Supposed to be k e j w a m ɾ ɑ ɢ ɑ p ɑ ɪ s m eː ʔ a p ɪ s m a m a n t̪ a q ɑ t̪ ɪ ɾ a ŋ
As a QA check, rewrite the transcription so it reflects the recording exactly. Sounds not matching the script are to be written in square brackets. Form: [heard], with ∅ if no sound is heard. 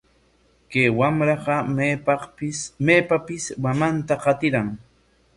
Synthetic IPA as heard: k e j w a m ɾ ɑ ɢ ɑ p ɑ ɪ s m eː [p] a p ɪ s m a m a n t̪ a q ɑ t̪ ɪ ɾ a ŋ